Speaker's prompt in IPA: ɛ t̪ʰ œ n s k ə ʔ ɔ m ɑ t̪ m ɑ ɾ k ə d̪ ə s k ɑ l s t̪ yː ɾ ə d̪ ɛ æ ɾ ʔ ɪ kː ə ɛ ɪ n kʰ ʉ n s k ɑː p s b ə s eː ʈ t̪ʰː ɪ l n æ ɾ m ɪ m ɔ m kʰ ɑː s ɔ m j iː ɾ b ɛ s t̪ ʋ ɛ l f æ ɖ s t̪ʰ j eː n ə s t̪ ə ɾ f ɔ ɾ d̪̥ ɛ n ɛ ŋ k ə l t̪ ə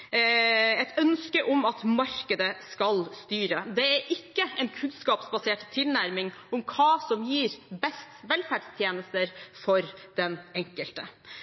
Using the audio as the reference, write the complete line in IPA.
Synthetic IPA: ɛ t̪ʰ œ n s k ə ʔ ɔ m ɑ t̪ m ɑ ɾ k ə d̪ ə s k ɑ l s t̪ yː ɾ ə d̪ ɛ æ ɾ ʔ ɪ kː ə ɛ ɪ n kʰ ʉ n s k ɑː p s b ɑ s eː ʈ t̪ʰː ɪ l n æ ɾ m ɪ ŋ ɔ m kʰ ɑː s ɔ m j iː ɾ b ɛ s t̪ ʋ ɛ l f æ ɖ s t̪ʰ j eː n ə s t̪ ə ɾ f ɔ ɾ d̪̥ ɛ n ɛ ŋ k ə l t̪ ə